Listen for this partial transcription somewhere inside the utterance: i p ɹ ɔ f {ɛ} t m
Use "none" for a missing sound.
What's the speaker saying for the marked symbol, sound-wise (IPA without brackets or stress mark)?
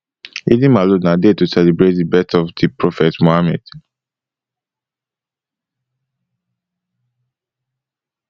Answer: ɛ